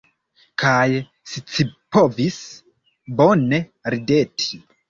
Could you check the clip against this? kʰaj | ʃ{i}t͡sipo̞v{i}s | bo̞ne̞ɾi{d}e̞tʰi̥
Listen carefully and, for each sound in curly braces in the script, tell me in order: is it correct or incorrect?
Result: correct, correct, correct

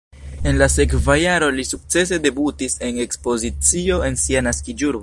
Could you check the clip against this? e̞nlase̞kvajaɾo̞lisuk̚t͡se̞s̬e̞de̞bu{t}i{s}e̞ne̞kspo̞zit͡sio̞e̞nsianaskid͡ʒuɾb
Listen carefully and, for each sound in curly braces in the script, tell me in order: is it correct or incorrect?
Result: correct, correct

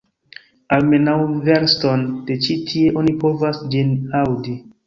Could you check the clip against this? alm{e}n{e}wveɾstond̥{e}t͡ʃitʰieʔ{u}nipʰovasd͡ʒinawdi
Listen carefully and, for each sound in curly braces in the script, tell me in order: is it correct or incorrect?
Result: correct, incorrect: a, correct, incorrect: o

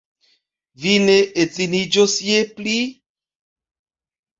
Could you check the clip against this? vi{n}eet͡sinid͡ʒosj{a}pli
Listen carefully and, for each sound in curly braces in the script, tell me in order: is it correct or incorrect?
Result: correct, incorrect: e

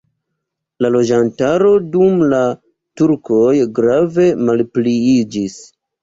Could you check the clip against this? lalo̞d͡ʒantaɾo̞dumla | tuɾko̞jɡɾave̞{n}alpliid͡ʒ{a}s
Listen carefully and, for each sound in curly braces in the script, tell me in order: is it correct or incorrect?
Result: incorrect: m, incorrect: i

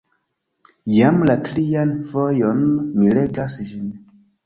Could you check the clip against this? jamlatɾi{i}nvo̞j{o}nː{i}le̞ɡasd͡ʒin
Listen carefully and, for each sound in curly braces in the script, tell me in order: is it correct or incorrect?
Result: incorrect: a, correct, correct

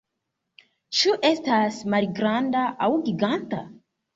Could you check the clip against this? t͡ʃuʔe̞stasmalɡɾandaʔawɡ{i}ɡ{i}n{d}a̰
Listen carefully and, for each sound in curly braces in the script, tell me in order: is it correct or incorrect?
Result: correct, incorrect: a, incorrect: t

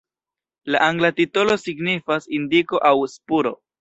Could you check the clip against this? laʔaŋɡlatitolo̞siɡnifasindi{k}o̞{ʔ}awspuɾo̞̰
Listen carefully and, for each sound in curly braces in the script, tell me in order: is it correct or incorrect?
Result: correct, correct

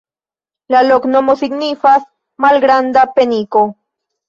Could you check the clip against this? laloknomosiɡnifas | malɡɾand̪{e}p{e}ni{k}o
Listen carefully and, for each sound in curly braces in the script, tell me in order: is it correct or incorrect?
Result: incorrect: a, correct, correct

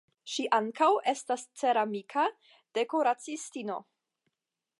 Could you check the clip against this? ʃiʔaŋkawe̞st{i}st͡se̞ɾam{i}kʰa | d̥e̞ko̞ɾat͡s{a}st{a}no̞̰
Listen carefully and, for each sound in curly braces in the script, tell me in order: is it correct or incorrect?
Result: incorrect: a, correct, incorrect: i, incorrect: i

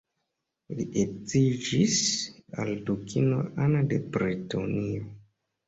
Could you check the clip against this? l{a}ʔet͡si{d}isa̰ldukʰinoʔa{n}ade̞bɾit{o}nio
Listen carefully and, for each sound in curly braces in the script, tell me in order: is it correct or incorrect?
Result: incorrect: i, incorrect: d͡ʒ, correct, correct

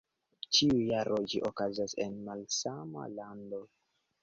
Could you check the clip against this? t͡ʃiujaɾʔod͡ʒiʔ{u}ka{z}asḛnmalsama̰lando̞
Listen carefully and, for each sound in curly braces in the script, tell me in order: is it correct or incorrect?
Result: incorrect: o, correct

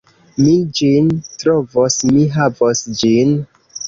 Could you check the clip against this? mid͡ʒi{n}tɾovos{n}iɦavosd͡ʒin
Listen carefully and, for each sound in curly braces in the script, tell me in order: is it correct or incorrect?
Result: correct, incorrect: m

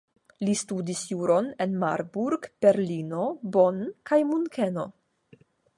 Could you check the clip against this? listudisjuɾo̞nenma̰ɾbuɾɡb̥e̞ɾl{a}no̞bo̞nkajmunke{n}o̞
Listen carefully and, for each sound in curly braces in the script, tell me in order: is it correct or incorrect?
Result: incorrect: i, correct

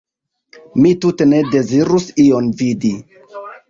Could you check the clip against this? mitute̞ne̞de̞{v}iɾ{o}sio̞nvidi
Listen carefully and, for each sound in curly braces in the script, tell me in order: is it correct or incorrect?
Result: incorrect: z, incorrect: u

